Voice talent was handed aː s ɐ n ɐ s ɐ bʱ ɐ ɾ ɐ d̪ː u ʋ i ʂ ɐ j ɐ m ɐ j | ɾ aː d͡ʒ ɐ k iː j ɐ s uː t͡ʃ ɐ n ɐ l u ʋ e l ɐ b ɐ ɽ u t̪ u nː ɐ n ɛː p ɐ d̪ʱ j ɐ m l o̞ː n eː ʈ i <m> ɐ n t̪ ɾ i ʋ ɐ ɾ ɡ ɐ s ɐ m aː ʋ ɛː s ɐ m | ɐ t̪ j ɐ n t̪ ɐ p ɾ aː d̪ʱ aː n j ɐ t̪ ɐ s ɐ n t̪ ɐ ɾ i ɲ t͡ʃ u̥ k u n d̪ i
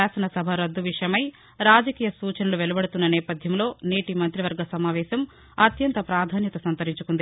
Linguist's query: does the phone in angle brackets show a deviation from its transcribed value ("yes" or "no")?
no